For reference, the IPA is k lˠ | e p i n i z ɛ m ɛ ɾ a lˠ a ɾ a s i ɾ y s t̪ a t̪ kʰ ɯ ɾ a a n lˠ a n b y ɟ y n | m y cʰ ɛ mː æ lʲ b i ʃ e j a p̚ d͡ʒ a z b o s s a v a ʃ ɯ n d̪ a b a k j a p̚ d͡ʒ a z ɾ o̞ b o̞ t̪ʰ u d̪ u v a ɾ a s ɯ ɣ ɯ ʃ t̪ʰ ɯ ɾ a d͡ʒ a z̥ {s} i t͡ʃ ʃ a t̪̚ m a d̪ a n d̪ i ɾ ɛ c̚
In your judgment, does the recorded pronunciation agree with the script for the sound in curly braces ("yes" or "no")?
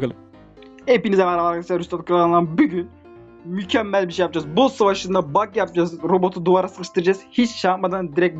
no